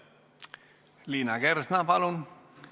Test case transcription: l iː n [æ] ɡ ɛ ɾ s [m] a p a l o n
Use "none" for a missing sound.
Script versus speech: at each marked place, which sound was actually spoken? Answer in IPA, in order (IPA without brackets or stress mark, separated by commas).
a, n